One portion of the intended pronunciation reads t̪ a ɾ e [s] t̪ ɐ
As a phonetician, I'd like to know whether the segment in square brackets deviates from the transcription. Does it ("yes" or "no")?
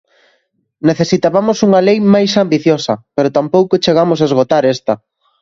no